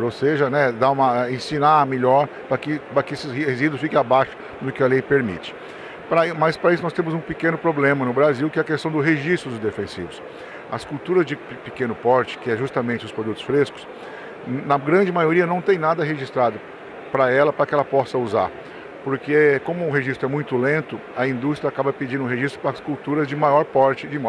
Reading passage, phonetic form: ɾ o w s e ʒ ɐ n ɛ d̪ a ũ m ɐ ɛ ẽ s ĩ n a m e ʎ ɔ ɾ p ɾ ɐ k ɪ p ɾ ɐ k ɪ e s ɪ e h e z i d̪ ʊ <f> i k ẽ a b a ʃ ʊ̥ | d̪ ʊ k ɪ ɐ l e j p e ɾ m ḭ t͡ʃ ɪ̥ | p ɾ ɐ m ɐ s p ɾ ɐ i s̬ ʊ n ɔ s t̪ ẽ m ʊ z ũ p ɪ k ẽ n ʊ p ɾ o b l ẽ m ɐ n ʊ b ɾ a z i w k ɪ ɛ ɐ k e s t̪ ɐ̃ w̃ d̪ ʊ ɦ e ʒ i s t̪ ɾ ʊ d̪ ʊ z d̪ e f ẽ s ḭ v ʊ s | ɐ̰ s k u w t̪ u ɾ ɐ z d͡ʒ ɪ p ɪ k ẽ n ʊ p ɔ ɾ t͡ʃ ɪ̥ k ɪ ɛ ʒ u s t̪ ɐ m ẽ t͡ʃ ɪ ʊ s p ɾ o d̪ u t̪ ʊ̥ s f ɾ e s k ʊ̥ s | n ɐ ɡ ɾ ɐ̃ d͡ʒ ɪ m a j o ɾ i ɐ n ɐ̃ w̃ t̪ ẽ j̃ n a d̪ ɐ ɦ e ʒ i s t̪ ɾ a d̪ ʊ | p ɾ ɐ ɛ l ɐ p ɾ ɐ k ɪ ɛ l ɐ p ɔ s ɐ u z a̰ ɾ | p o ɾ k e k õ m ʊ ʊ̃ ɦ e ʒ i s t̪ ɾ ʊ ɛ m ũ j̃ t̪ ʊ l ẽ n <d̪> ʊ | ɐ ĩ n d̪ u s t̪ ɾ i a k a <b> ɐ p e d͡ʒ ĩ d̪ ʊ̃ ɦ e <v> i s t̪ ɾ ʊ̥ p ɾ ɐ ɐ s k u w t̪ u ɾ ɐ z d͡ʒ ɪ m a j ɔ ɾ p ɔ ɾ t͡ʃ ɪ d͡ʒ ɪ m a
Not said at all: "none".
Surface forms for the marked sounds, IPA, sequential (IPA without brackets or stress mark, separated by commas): f, t̪, b, ʒ